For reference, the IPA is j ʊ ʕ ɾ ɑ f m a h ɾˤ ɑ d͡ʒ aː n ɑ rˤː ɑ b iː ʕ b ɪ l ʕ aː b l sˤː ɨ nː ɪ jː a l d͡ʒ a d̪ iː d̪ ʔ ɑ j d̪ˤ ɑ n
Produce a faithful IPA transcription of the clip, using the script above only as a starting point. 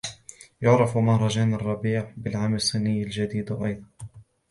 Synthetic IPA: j ʊ ʕ ɾ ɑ f m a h ɾˤ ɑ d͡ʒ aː n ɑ rˤː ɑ b iː ʕ b ɪ l ʕ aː m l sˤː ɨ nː ɪ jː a l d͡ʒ a d̪ iː d̪ ʔ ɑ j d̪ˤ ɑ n